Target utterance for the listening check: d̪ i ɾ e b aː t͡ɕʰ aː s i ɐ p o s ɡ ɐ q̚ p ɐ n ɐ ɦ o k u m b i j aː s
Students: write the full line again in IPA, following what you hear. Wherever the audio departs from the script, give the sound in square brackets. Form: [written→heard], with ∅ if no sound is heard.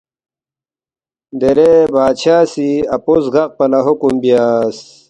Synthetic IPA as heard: d̪ [i→e] ɾ e b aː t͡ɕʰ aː s i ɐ p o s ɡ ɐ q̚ p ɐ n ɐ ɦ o k u m b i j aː s